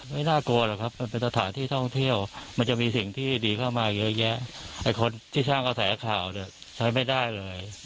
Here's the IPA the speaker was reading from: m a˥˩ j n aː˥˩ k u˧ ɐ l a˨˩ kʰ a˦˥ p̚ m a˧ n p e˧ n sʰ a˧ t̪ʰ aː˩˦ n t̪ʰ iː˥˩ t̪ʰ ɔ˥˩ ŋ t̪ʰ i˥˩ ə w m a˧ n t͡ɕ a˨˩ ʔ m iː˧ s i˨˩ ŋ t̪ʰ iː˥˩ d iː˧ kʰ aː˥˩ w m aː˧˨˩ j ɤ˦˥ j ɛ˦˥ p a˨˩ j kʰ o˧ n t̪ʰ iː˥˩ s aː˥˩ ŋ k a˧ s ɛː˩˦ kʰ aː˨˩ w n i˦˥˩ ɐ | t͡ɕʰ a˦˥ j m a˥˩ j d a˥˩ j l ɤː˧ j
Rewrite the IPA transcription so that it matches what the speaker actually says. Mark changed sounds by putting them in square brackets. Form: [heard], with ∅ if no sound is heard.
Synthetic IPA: m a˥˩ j n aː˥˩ k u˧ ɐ l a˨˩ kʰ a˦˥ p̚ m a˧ n p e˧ n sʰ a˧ t̪ʰ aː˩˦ n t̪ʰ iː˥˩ t̪ʰ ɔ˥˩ ŋ t̪ʰ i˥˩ ə w m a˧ n t͡ɕ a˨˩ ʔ m iː˧ s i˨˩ ŋ t̪ʰ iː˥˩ d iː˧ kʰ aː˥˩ w m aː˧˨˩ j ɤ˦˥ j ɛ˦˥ [ʔ] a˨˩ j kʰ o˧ n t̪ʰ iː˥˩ s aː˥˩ ŋ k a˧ s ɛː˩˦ kʰ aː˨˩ w n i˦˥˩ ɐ | t͡ɕʰ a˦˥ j m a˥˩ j d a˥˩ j l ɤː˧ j